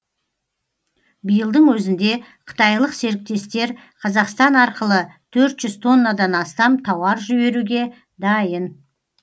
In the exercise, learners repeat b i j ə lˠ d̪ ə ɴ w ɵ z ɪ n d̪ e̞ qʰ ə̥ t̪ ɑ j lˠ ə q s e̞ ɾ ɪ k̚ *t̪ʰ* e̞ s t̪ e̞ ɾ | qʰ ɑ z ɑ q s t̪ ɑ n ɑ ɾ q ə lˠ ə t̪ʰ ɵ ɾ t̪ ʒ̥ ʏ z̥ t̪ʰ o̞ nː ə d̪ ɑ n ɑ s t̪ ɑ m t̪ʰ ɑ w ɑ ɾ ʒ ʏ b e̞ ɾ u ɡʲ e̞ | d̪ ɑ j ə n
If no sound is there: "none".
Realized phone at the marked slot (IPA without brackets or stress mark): t̪